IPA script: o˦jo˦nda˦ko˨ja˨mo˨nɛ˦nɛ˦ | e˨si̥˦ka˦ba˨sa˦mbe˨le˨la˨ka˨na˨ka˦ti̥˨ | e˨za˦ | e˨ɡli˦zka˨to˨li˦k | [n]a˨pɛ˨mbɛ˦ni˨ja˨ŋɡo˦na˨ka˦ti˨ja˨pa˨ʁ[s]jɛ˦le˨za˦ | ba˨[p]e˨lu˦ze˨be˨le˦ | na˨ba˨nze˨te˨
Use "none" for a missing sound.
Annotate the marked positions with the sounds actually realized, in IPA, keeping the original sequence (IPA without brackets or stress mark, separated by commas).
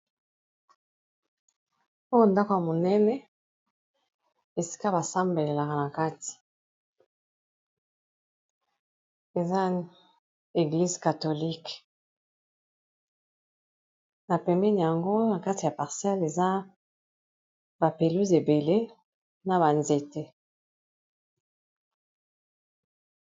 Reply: n, s, p